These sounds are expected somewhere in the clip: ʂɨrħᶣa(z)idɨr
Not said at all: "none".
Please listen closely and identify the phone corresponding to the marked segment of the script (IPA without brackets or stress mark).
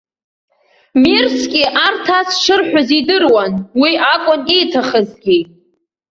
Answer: z